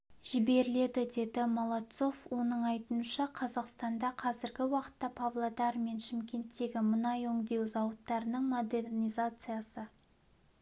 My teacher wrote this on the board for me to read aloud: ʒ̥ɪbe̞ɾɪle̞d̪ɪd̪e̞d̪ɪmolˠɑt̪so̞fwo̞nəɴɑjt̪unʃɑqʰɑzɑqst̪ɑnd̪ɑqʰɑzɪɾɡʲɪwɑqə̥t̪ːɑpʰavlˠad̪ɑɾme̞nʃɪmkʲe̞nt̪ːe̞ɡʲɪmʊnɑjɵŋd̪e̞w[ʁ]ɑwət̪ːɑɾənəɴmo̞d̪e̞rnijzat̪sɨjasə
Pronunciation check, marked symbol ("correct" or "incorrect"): incorrect